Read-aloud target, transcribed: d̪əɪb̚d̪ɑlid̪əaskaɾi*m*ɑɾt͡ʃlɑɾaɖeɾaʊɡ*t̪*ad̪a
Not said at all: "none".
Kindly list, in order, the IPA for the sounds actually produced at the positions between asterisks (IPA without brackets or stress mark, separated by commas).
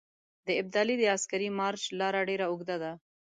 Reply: m, d̪